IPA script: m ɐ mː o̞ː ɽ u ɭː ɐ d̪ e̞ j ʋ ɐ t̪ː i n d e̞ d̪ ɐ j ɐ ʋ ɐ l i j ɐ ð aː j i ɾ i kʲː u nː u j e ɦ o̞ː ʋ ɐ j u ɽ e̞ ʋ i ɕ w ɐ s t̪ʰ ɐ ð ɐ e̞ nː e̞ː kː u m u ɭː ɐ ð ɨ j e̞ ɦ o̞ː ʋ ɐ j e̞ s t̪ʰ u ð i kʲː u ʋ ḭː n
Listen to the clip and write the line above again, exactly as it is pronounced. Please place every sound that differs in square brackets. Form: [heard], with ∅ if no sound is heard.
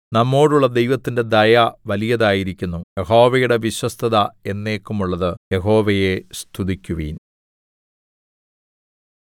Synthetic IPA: [n] ɐ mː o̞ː ɽ u ɭː ɐ d̪ e̞ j ʋ ɐ t̪ː i n d e̞ d̪ ɐ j ɐ ʋ ɐ l i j ɐ ð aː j i ɾ i kʲː u nː u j e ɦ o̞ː ʋ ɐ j u ɽ e̞ ʋ i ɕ w ɐ s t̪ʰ ɐ ð ɐ e̞ nː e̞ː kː u m u ɭː ɐ ð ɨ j e̞ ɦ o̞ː ʋ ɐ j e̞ s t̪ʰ u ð i kʲː u ʋ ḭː n